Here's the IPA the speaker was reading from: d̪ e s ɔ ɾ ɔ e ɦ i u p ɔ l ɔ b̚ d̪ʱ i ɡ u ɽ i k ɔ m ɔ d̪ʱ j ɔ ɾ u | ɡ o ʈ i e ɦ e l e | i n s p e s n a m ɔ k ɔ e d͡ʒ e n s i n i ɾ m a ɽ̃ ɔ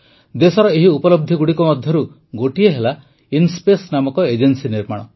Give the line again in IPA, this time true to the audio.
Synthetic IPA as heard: d̪ e s ɔ ɾ ɔ e ɦ i u p ɔ l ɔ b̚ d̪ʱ i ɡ u ɽ i k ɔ m ɔ d̪ʱ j ɔ ɾ u | ɡ o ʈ i e ɦ e l a | i n s p e s n a m ɔ k ɔ e d͡ʒ e n s i n i ɾ m a ɽ̃ ɔ